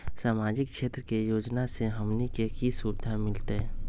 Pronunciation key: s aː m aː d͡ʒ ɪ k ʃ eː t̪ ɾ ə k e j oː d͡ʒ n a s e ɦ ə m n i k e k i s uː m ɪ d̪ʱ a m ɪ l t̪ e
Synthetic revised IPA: s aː m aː d͡ʒ ɪ k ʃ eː t̪ ɾ ə k e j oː d͡ʒ n a s e ɦ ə m n i k e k i s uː b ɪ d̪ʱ a m ɪ l t̪ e